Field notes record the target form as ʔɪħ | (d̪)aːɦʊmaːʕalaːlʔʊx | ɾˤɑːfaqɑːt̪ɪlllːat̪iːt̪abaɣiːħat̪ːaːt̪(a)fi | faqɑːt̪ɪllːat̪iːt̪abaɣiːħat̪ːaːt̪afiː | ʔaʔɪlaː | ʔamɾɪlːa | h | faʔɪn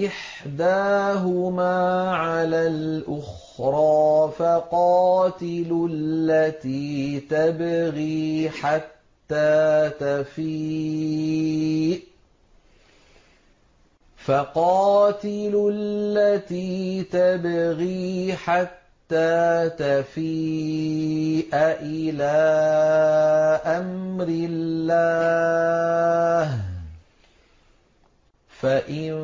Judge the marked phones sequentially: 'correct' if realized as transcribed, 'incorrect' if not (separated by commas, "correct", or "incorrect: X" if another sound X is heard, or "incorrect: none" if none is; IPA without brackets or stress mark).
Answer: correct, correct